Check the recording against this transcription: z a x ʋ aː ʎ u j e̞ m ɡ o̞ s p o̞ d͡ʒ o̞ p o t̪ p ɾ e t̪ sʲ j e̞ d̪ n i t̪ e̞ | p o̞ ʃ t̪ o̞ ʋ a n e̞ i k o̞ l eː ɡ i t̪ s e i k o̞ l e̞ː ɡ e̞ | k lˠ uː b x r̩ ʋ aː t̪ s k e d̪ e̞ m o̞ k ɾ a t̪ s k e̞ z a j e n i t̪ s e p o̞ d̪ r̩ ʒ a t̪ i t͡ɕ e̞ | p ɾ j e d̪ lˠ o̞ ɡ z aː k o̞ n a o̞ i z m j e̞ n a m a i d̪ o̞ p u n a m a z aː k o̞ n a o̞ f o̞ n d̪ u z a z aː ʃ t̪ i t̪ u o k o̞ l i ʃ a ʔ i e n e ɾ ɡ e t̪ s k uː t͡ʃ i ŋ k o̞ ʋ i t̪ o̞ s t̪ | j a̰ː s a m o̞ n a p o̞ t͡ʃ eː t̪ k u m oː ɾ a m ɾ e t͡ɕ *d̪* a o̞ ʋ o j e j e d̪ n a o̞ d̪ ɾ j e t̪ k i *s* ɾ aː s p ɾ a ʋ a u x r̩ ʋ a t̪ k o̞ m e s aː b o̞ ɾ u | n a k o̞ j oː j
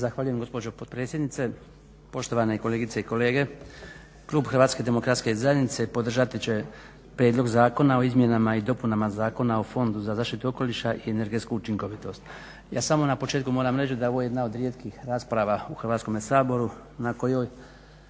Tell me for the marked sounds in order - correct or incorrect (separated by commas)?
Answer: correct, incorrect